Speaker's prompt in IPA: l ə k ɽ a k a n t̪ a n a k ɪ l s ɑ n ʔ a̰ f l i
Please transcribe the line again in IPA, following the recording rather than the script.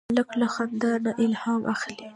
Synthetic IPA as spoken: l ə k l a x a n d̪ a n a ʔ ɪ l h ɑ m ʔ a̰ x l i